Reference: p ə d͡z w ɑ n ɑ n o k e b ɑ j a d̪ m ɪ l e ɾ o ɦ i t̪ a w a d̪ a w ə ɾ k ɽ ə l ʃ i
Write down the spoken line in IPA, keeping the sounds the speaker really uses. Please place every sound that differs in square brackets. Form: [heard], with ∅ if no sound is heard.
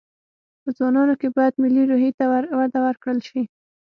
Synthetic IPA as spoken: p ə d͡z w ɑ n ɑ n o k e b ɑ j a d̪ m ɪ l [i] ɾ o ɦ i t̪ a w a d̪ a w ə ɾ k ɽ ə l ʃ i